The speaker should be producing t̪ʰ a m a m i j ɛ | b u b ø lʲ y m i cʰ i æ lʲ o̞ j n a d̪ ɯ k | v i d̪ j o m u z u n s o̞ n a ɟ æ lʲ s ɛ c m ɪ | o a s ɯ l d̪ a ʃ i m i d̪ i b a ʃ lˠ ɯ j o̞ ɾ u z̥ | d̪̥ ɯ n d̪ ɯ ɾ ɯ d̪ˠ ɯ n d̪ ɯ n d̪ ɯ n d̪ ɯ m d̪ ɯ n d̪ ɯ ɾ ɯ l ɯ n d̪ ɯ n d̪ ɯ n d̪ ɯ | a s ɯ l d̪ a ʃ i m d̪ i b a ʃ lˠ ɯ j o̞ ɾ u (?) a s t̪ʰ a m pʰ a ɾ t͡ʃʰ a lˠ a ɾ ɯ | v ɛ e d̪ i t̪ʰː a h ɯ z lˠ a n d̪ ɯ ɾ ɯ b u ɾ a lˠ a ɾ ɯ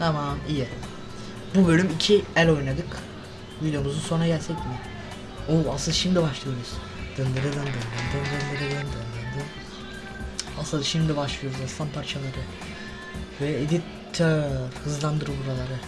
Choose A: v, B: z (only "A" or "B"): B